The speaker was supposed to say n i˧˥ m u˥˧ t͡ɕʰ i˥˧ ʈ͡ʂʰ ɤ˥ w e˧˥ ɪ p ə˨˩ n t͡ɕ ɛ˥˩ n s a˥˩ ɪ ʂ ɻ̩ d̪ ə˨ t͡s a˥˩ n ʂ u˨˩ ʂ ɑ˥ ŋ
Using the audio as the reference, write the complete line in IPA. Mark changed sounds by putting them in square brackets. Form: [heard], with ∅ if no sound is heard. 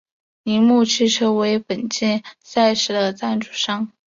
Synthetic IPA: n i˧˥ m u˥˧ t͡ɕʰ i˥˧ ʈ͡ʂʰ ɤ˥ w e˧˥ ɪ p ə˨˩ n t͡ɕ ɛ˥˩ n s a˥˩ ɪ ʂ ɻ̩ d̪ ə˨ t͡s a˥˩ n [ʈ͡ʂ] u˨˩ ʂ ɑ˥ ŋ